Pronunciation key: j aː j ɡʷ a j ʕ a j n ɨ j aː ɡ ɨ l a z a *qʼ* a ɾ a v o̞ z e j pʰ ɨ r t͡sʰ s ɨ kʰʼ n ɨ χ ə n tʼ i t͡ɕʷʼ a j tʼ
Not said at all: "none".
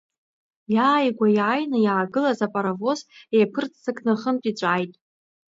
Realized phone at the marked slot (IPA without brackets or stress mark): pʼ